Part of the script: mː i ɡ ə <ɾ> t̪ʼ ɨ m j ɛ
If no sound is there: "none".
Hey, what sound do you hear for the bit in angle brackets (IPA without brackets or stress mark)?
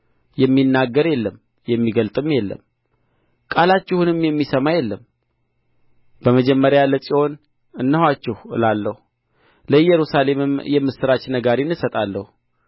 l